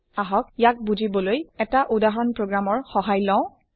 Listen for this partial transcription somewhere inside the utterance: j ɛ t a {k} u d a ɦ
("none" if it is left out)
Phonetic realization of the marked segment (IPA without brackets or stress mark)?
ʔ